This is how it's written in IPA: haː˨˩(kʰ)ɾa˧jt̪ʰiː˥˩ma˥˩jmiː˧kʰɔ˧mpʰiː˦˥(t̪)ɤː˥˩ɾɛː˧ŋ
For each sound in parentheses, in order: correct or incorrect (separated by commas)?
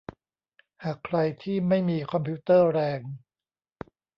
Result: correct, correct